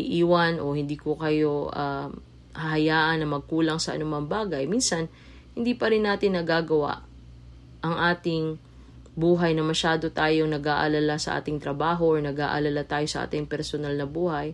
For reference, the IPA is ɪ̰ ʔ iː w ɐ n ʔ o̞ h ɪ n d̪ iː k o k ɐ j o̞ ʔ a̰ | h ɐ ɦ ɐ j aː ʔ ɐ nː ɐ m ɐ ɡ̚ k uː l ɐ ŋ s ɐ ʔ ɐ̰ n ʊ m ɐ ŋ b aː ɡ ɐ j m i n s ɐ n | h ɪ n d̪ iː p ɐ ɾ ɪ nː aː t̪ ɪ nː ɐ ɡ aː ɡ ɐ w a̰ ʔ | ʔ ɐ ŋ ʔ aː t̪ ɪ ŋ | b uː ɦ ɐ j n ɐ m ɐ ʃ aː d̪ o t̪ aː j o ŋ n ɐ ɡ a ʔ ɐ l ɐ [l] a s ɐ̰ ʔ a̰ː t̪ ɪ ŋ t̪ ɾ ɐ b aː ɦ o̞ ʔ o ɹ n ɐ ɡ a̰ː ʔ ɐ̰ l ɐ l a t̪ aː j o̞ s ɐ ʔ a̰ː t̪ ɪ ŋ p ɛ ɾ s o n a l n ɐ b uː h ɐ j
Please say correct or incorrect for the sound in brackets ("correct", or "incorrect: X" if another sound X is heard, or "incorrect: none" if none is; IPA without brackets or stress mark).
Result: correct